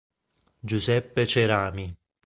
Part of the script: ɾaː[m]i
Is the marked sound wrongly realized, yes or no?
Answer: no